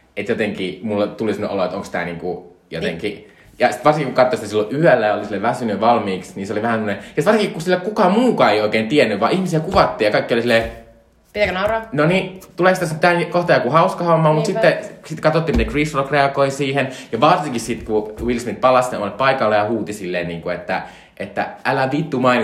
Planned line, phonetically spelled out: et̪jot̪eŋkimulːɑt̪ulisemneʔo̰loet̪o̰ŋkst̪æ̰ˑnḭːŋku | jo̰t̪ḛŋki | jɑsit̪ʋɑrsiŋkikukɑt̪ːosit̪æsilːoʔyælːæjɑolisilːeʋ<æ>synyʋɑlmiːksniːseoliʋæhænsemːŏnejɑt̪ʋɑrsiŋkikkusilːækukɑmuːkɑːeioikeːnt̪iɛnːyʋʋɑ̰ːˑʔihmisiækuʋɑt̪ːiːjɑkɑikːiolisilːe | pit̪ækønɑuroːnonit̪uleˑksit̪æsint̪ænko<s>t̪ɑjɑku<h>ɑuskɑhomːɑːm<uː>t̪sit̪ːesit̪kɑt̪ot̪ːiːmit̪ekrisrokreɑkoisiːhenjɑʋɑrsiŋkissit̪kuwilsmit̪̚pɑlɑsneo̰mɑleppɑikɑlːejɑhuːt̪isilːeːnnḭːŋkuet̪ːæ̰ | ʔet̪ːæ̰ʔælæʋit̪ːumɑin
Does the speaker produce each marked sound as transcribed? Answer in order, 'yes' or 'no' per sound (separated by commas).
yes, no, yes, no